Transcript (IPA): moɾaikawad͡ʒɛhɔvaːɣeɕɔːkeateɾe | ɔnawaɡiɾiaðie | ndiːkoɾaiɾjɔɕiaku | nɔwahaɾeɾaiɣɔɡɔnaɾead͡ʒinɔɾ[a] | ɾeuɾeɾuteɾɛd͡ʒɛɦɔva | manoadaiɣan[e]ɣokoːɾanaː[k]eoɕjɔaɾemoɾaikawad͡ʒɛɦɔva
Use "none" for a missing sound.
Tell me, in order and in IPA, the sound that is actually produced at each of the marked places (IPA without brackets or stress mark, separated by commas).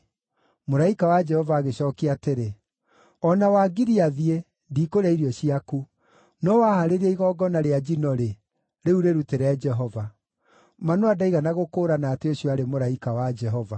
e, a, t